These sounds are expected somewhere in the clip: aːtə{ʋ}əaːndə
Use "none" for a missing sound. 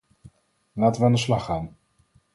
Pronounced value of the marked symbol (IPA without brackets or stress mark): ʋ